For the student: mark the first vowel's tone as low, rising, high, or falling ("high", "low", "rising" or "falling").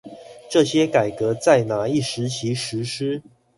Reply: falling